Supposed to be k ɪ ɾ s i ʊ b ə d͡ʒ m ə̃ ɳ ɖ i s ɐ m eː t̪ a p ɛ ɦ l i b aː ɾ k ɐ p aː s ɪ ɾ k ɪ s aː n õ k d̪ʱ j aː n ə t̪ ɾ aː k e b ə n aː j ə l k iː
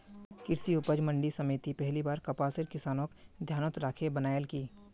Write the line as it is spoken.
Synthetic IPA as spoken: k ɪ ɾ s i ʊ p ə d͡ʒ m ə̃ ɳ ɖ i s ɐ m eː t̪ i p ɛ ɦ l i b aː ɾ k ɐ p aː s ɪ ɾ k ɪ s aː n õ k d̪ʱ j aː n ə t̪ ɾ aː kʰ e b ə n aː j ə l k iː